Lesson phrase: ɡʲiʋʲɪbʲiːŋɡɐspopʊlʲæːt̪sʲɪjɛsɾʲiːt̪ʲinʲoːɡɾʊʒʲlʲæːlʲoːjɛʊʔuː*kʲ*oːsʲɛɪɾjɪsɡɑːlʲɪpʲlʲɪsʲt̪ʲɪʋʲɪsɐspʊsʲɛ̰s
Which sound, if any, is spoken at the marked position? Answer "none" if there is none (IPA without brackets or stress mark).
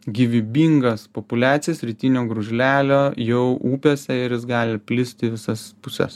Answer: pʲ